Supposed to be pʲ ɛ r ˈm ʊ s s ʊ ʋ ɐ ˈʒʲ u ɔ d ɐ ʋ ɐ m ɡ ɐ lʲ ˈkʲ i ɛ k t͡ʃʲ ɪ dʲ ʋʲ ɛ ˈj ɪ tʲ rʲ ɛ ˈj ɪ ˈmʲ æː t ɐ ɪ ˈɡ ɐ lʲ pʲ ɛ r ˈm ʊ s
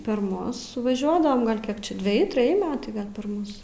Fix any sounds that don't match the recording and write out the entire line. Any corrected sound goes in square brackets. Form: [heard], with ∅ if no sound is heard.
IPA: pʲ ɛ r ˈm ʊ s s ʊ ʋ ɐ ˈʒʲ u ɔ d ɐ ʋ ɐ m ɡ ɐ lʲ ˈkʲ i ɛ k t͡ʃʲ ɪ dʲ ʋʲ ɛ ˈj ɪ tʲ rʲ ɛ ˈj ɪ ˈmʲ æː t ɐ ɪ ˈɡ ɐ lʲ pʲ ɛ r ˈm ʊ s